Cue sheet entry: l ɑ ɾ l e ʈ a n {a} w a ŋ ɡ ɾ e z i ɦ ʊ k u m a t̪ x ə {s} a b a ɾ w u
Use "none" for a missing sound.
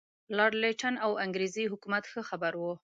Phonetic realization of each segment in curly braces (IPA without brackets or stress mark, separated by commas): a, x